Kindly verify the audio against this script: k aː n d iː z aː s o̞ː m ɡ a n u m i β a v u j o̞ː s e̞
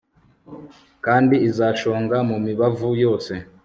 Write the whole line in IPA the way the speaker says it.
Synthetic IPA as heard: k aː n d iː z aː ʃ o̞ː ŋ ɡ a m u m i β a v u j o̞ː s e̞